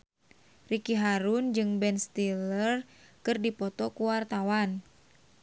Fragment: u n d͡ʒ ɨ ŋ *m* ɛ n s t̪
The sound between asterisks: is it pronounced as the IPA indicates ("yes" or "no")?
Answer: no